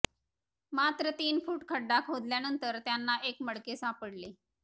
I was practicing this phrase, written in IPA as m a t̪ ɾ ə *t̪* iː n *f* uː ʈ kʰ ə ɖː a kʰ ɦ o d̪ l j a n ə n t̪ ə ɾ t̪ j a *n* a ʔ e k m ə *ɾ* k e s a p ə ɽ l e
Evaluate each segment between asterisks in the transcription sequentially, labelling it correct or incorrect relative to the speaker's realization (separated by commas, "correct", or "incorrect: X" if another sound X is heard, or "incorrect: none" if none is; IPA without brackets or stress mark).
correct, correct, incorrect: nː, incorrect: ɽ